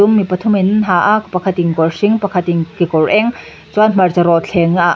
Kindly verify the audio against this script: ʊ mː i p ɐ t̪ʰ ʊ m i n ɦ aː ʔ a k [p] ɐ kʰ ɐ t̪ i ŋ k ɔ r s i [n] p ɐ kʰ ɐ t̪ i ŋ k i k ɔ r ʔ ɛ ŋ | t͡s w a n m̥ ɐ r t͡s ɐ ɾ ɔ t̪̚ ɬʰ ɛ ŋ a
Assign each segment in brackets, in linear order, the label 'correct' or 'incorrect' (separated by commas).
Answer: correct, incorrect